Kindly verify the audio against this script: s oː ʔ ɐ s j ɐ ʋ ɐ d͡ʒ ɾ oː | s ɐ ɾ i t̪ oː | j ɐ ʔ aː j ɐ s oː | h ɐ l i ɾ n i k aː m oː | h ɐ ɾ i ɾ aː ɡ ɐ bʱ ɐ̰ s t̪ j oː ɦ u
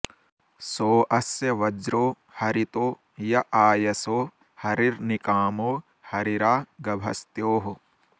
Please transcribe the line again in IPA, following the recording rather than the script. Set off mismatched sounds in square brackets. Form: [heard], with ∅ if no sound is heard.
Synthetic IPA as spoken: s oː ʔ ɐ s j ɐ ʋ ɐ d͡ʒ ɾ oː | [h] ɐ ɾ i t̪ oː | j ɐ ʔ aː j ɐ s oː | h ɐ [ɾ] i ɾ n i k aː m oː | h ɐ ɾ i ɾ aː ɡ ɐ bʱ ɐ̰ s t̪ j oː ɦ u